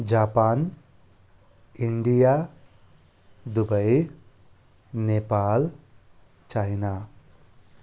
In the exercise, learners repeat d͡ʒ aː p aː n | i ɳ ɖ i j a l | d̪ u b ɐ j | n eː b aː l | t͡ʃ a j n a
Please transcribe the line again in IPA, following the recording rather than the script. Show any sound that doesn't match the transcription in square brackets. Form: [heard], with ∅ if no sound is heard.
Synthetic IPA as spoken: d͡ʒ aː p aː n | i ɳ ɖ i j a [∅] | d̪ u b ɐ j | n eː [p] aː l | t͡ʃ a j n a